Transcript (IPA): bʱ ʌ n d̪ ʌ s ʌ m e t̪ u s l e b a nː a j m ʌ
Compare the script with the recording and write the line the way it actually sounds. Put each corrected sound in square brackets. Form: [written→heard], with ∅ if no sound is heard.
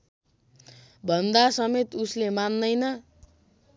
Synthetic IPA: bʱ ʌ n d̪ [ʌ→a] s ʌ m e t̪ u s l e [b→m] a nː [a→ʌ] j [m→n] ʌ